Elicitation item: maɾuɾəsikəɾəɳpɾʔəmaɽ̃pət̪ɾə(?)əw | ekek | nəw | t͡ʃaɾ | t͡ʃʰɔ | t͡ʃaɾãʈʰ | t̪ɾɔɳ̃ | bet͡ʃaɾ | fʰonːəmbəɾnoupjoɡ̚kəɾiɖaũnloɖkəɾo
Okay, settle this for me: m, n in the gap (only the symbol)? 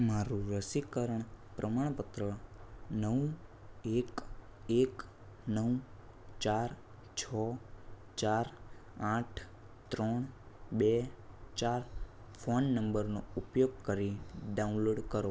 n